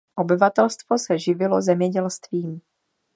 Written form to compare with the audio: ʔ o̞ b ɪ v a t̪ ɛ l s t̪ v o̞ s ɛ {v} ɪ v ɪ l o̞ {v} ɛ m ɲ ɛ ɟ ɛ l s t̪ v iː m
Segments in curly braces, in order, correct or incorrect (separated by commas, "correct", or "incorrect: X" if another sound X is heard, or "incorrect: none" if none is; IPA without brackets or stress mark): incorrect: ʒ, incorrect: z